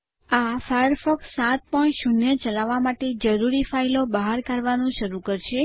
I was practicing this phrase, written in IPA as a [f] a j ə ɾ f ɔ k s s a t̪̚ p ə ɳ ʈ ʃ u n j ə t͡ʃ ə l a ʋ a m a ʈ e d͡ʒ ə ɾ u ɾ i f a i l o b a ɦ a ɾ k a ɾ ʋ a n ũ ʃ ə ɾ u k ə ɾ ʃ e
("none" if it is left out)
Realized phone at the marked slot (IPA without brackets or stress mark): f